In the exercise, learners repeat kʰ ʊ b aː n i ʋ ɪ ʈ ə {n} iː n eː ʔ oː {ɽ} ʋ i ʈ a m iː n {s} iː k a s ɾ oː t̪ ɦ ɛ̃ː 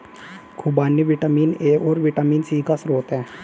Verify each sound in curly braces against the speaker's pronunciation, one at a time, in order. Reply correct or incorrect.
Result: incorrect, incorrect, correct

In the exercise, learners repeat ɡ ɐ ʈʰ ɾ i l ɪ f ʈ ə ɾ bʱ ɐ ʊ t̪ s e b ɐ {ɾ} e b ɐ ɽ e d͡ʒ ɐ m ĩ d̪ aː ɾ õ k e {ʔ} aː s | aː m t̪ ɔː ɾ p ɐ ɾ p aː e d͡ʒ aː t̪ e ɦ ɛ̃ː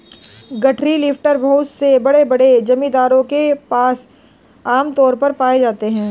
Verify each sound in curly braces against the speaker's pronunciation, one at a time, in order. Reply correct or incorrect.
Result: incorrect, incorrect

